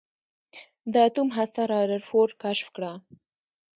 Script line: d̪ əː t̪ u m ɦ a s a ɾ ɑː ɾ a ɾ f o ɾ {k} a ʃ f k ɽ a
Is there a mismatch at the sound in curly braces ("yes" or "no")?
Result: no